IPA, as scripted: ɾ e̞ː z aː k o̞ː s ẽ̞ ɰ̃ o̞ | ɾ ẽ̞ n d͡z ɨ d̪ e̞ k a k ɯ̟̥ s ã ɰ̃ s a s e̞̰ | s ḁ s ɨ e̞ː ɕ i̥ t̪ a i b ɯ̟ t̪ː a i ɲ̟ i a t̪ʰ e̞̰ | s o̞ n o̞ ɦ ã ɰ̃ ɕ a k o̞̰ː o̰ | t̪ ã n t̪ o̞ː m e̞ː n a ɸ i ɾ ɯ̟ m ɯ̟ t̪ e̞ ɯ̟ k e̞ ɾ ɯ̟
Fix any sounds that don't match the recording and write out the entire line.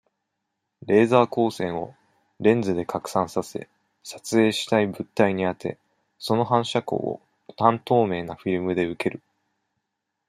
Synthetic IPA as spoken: ɾ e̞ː z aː k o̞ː s ẽ̞ ɰ̃ o̞ | ɾ ẽ̞ n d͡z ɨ d̪ e̞ k a k ɯ̟̥ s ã ɰ̃ s a s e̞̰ | s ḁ t͡s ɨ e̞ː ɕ i̥ t̪ a i b ɯ̟ t̪ː a i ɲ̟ i a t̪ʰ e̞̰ | s o̞ n o̞ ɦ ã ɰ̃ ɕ a k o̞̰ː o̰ | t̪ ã n t̪ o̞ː m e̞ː n a ɸ i ɾ ɯ̟ m ɯ̟ d̪ e̞ ɯ̟ k e̞ ɾ ɯ̟